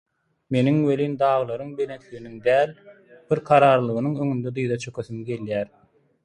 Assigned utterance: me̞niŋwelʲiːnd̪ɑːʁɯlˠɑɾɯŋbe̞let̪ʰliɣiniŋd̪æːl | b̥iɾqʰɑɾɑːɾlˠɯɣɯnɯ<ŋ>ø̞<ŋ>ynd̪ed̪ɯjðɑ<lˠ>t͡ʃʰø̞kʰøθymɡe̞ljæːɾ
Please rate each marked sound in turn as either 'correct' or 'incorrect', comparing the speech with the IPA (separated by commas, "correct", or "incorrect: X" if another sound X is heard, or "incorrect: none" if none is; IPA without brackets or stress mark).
correct, correct, incorrect: none